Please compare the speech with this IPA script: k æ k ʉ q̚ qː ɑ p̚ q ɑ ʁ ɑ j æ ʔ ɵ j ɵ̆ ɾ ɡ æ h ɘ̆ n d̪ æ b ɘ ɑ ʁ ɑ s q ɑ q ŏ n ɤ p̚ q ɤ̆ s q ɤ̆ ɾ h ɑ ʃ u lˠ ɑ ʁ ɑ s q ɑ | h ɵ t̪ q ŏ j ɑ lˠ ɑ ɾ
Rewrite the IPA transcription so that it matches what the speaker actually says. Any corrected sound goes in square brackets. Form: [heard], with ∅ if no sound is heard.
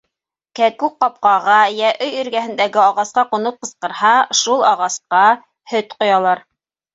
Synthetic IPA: k æ k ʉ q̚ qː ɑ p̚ q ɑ ʁ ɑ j æ ʔ ɵ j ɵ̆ ɾ ɡ æ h ɘ̆ n d̪ æ [ɡ] ɘ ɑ ʁ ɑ s q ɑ q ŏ n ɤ p̚ q ɤ̆ s q ɤ̆ ɾ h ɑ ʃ u lˠ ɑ ʁ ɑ s q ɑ | h ɵ t̪ q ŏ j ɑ lˠ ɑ ɾ